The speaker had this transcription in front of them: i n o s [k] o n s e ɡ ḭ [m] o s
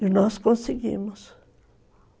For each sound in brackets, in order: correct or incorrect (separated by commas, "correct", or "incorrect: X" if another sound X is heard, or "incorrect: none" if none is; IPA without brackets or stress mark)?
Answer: correct, correct